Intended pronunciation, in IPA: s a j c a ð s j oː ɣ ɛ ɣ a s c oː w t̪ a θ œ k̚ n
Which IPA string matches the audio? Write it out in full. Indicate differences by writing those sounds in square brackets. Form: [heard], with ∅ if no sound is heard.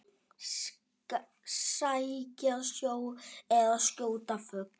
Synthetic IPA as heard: s a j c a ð s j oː [w] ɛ [ð] a s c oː w t̪ a [f] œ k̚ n